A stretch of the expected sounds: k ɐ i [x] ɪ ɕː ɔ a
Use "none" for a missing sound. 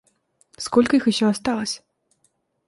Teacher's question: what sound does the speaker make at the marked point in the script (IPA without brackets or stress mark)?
x